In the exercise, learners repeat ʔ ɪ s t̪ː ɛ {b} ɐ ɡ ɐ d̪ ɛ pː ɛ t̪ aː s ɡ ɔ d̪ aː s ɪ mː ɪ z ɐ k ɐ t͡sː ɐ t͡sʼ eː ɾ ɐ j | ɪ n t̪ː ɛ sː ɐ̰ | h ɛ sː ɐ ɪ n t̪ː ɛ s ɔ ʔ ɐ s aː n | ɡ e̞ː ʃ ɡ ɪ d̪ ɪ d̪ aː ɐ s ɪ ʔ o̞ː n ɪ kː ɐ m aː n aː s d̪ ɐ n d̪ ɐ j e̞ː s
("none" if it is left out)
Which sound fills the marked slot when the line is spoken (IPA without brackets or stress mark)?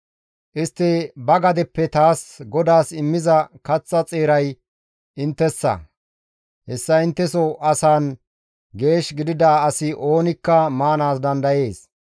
b